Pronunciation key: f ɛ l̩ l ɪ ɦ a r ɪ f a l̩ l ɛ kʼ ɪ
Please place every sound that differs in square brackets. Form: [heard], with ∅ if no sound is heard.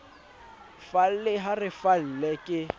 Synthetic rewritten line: f [a] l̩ l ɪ ɦ a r ɪ f a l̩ l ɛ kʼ ɪ